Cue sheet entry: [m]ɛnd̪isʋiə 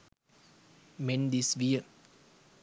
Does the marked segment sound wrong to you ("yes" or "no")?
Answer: no